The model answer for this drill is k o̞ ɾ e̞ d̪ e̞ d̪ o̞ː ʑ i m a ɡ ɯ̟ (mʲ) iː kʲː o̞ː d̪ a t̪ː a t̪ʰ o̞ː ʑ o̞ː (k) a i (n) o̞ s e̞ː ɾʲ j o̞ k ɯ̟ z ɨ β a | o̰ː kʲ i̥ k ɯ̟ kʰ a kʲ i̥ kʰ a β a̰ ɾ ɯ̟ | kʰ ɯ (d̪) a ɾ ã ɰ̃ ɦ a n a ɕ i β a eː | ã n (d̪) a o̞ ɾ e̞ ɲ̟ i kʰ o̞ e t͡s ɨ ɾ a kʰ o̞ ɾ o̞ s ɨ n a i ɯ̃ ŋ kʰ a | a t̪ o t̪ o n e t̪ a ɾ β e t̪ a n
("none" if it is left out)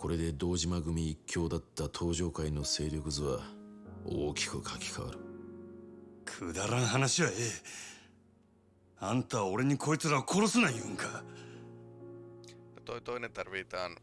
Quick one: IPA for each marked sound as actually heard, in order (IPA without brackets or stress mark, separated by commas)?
mʲ, k, n, d̪, t̪